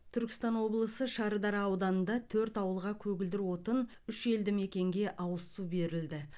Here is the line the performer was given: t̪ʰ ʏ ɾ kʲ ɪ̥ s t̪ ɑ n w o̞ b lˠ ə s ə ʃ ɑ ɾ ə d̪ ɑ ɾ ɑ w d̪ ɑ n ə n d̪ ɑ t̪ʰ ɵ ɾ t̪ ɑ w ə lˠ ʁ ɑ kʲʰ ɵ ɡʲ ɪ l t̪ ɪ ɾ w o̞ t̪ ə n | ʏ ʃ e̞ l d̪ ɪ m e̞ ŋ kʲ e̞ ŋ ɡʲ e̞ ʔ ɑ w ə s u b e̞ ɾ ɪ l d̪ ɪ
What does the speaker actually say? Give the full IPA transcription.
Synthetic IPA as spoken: t̪ʰ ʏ ɾ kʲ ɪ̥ s t̪ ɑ n w o̞ b lˠ ə s ə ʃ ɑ ɾ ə d̪ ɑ ɾ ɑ w d̪ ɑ n ə n d̪ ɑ t̪ʰ ɵ ɾ t̪ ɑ w ə lˠ ʁ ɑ kʲʰ ɵ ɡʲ ɪ l d̪ ɪ ɾ w o̞ t̪ ə n | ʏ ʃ e̞ l d̪ ɪ m e̞ kʲ e̞ ŋ ɡʲ e̞ ʔ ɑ w ə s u b e̞ ɾ ɪ l d̪ ɪ

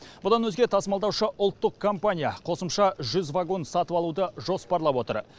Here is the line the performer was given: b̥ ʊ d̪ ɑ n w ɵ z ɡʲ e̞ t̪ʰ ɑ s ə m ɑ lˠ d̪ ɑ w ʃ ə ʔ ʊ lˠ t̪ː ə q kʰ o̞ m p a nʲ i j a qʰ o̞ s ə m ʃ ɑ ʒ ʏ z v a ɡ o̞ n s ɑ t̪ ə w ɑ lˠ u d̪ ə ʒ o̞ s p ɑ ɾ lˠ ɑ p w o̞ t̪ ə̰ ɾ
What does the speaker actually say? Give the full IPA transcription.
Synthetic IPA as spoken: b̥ ʊ d̪ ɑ n w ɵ z ɡʲ e̞ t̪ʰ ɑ s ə m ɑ lˠ d̪ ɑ w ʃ ə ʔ ʊ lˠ t̪ː ə q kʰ o̞ m p a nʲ i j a qʰ o̞ s ə m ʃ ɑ ʒ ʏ z v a ɡ o̞ n s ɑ t̪ ə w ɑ lˠ u d̪ ə ʒ o̞ s p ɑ ɾ lˠ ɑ p w o̞ t̪ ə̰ ɾ

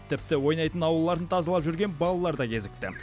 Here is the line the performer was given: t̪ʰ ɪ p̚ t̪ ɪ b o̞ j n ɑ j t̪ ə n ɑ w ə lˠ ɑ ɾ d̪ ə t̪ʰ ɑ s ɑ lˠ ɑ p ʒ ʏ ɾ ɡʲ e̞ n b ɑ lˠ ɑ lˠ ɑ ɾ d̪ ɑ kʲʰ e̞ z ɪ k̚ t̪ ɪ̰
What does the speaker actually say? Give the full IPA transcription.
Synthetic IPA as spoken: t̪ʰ ɪ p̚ t̪ ɪ w o̞ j n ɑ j t̪ ə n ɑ w ə lˠː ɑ ɾ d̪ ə t̪ʰ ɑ z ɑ lˠ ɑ p ʒ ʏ ɾ ɡʲ e̞ n b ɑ lˠ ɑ lˠ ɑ ɾ d̪ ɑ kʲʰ e̞ z ɪ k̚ t̪ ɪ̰

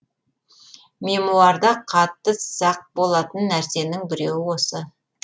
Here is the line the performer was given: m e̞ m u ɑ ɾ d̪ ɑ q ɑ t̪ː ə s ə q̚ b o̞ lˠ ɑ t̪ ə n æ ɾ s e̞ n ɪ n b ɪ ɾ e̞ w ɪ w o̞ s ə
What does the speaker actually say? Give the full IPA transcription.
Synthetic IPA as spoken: m e̞ m u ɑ ɾ d̪ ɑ qʰ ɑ t̪ː ə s ɑ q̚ b o̞ lˠ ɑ t̪ ə nː æ ɾ s e̞ n ɪ ŋ b ɪ ɾ e̞ w ɪ w o̞ s ə

